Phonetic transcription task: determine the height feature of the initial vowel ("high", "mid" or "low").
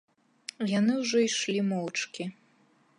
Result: low